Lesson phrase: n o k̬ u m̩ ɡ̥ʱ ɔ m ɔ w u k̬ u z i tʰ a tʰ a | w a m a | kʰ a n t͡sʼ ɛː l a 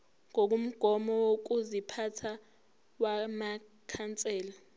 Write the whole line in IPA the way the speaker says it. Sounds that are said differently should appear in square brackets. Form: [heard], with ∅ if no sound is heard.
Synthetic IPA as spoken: [ŋ] o k̬ u m̩ ɡ̥ʱ ɔ m ɔ w [o] k̬ u z i [pʰ] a tʰ a | w a m a | kʰ a n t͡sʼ ɛː l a